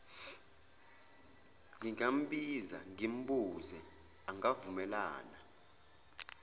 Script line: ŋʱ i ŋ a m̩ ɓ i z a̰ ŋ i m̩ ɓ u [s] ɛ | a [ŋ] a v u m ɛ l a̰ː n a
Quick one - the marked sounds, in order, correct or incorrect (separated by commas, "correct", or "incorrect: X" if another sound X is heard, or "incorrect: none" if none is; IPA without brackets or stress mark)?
incorrect: z, correct